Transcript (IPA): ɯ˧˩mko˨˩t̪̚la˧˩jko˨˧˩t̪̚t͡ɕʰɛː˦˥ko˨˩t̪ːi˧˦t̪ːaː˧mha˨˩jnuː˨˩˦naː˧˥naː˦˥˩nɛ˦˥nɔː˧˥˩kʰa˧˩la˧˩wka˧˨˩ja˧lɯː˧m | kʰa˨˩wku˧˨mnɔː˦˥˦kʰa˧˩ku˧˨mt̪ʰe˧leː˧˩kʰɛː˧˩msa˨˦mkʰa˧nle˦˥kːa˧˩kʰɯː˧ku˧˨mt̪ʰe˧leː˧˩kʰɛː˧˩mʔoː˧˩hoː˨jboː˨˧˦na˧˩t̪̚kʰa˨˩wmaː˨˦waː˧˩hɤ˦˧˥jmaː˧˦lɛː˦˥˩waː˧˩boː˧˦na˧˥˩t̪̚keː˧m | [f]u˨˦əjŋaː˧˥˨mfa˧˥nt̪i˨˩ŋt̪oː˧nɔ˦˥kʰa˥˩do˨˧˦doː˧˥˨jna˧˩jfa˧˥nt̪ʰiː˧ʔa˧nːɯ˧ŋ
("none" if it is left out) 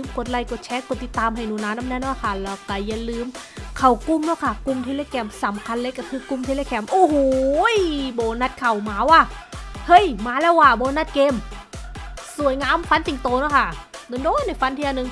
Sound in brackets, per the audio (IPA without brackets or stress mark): s